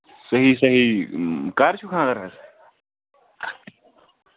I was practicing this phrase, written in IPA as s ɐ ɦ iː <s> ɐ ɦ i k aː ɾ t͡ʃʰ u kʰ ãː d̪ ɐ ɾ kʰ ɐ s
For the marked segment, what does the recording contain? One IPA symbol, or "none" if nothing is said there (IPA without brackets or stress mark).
s